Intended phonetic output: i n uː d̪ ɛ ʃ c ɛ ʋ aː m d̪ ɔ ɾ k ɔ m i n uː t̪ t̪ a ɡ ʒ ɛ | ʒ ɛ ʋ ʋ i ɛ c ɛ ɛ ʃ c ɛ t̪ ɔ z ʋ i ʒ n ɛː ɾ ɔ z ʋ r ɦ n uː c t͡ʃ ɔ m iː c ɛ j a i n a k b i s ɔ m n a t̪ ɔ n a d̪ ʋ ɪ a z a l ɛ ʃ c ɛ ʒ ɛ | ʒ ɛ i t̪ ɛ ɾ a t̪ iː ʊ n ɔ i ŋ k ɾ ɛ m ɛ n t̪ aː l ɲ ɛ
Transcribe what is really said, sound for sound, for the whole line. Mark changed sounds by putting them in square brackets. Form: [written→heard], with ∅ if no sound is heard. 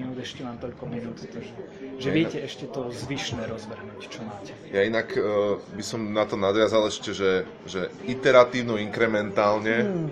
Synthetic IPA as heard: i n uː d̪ ɛ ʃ c ɛ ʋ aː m [d̪→t̪] ɔ [ɾ→ʎ] k ɔ m i n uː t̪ t̪ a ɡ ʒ ɛ | ʒ ɛ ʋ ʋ [i→ɪ] ɛ c ɛ ɛ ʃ c ɛ t̪ ɔ z ʋ i [ʒ→ʃ] n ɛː ɾ ɔ z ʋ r ɦ n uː c t͡ʃ ɔ m [iː→aː] c ɛ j a i n a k b i s ɔ m n a t̪ ɔ n a d̪ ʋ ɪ a z a l ɛ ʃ c ɛ ʒ ɛ | ʒ ɛ i t̪ ɛ ɾ a t̪ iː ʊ n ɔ i ŋ k ɾ ɛ m ɛ n t̪ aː l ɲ ɛ